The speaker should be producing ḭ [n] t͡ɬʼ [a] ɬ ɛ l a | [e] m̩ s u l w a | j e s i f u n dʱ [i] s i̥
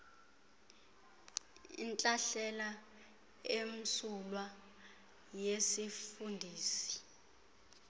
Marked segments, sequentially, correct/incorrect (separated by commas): correct, correct, correct, incorrect